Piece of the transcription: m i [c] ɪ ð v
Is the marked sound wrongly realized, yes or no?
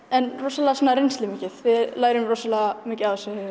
no